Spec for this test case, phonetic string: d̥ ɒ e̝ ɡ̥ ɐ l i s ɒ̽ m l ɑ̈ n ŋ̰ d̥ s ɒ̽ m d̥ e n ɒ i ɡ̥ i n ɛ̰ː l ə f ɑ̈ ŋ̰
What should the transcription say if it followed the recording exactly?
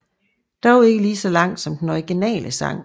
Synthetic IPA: d̥ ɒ e̝ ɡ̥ ə l iː s ɒ̽ l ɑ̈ ŋ̰ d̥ s ɒ̽ m d̥ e n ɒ i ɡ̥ i n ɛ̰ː l ə s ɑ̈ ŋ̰